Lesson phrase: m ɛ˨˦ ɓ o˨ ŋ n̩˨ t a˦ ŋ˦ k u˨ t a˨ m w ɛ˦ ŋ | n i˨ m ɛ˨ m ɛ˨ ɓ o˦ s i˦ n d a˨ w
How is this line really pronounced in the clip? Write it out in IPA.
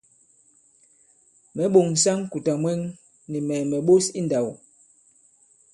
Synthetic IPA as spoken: m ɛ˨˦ ɓ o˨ ŋ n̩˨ s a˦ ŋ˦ k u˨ t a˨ m w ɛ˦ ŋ | n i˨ m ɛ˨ m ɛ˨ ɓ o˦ s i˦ n d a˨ w